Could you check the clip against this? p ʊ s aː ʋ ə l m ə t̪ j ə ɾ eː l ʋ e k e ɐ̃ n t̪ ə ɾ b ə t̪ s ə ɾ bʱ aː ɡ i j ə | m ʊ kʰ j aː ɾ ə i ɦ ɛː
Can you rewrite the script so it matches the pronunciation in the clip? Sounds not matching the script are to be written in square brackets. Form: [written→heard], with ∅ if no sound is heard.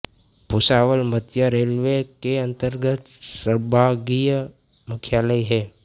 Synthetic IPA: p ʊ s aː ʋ ə l m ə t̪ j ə ɾ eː l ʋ e k e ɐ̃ n t̪ ə ɾ [b→ɡ] ə t̪ s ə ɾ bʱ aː ɡ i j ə | m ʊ kʰ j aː [ɾ→l] ə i ɦ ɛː